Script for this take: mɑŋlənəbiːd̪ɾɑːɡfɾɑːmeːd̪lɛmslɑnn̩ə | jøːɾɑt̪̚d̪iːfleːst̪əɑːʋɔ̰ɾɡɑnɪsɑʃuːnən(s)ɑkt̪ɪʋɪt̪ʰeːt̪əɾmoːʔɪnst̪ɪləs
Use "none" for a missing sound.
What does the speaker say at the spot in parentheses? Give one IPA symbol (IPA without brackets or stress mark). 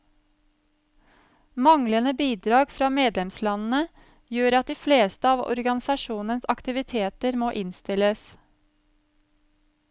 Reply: s